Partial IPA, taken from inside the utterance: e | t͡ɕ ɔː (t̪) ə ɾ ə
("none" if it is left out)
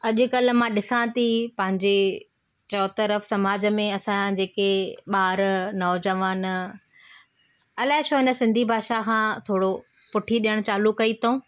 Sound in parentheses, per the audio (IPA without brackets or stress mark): t̪